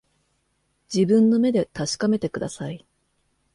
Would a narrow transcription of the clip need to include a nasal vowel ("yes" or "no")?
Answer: yes